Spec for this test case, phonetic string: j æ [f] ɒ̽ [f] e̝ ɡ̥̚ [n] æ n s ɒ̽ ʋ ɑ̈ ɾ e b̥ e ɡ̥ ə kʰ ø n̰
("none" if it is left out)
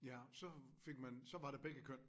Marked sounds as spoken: s, f, m

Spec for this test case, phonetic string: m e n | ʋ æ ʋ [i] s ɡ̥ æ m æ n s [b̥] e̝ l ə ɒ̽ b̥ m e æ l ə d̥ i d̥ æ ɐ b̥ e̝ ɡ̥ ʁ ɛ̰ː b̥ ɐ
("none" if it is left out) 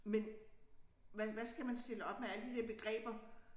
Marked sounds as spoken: æ, d̥

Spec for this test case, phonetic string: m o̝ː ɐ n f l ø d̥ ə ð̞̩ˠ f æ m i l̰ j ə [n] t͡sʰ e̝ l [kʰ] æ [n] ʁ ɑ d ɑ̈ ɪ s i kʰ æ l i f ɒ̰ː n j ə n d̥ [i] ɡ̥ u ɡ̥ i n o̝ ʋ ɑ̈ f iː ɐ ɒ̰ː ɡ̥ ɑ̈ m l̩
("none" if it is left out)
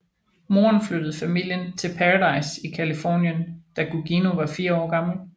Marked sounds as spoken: n, pʰ, none, æ

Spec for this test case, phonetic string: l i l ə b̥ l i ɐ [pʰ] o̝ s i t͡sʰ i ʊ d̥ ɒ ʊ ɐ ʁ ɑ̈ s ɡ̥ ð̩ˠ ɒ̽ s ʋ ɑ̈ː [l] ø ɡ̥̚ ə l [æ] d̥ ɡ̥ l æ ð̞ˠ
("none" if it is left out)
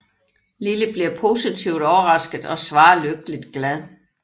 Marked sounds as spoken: pʰ, l, i

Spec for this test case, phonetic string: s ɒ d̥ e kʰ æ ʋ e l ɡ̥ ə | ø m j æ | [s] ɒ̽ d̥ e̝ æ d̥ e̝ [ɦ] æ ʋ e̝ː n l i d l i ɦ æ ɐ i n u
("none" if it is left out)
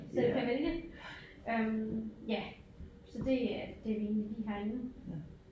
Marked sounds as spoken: s, none

